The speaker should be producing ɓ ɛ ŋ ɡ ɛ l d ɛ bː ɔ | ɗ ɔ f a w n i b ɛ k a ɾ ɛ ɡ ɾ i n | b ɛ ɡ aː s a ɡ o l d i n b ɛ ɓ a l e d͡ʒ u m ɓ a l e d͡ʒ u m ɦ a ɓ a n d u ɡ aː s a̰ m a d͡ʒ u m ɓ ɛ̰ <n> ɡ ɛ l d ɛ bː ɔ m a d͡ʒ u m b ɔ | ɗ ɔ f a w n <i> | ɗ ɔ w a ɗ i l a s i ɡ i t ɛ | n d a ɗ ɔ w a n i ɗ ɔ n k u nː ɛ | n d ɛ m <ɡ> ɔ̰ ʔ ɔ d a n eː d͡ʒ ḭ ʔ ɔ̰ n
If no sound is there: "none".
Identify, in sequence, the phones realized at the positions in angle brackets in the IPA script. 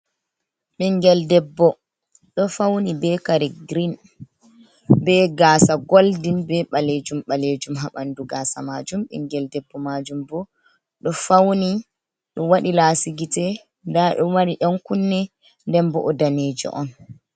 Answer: ŋ, i, b

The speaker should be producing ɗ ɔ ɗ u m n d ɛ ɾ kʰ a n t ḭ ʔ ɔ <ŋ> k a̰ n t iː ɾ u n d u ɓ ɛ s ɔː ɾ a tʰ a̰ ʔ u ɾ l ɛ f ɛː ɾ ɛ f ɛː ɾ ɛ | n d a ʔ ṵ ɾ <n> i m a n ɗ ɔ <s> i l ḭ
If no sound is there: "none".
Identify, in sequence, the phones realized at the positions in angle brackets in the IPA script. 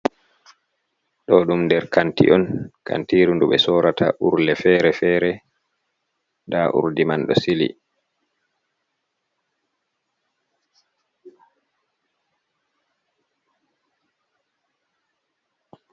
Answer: n, d, s

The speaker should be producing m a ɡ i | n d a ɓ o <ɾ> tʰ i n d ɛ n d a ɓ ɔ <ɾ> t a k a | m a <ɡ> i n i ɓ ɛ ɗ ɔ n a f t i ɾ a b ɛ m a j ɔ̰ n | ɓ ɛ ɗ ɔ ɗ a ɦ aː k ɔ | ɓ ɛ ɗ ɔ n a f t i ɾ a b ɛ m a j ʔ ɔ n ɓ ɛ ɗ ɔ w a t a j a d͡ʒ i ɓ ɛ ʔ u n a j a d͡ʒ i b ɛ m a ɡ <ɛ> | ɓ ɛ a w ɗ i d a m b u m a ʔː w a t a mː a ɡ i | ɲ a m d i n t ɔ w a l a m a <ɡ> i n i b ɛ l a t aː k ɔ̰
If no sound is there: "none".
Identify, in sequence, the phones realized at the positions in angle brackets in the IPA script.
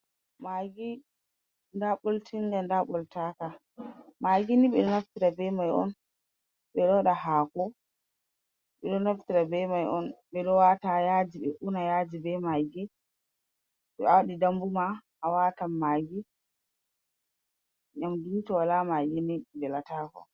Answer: l, l, ɡ, i, ɡ

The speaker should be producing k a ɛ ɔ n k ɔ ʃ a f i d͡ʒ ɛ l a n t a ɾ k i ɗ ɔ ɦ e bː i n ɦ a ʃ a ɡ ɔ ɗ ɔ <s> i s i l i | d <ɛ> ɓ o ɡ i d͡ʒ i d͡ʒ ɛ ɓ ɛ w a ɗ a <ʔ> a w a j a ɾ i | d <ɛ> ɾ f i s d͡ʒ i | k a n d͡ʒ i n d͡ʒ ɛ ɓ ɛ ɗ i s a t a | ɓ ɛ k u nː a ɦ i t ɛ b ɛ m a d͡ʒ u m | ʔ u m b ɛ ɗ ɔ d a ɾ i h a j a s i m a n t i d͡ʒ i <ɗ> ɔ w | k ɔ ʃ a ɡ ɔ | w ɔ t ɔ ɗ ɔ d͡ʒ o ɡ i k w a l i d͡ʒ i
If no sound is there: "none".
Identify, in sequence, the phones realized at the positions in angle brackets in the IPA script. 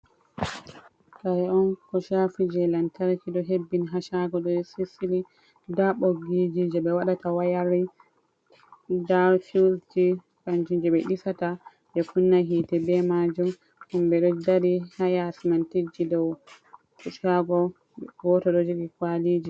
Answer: s, a, t, a, d

